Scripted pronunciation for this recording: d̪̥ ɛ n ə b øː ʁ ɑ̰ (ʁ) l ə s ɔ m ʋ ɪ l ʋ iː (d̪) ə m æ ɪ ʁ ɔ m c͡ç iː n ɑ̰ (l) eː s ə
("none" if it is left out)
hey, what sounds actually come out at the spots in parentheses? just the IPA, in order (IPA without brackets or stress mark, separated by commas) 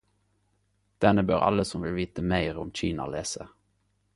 none, t̪, l